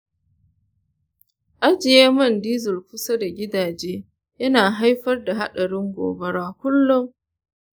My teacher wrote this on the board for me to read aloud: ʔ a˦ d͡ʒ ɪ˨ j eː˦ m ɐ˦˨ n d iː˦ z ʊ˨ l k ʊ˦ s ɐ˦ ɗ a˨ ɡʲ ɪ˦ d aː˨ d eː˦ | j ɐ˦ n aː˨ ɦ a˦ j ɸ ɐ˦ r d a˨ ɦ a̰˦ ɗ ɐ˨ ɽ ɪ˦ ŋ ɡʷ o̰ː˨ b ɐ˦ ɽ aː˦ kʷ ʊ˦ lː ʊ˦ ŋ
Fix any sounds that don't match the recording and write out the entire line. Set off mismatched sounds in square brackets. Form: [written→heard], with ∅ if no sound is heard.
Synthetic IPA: ʔ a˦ d͡ʒ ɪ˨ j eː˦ m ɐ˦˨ n d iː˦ z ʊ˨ l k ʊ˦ s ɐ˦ [ɗ→d] a˨ ɡʲ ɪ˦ d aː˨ [d→d͡ʒ] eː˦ | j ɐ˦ n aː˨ ɦ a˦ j ɸ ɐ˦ r d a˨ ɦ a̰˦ ɗ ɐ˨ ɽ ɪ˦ ŋ ɡʷ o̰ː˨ b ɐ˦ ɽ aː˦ kʷ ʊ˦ lː ʊ˦ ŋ